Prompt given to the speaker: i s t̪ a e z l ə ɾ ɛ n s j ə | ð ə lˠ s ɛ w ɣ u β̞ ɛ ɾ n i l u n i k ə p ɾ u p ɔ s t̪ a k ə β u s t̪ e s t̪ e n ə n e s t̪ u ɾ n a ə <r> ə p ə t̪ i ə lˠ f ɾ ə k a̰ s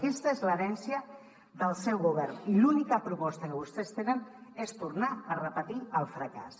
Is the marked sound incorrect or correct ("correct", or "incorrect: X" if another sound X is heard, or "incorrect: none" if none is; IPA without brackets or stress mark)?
correct